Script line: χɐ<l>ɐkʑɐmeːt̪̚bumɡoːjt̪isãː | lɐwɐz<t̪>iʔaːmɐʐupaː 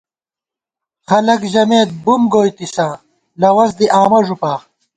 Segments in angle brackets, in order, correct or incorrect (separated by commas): correct, incorrect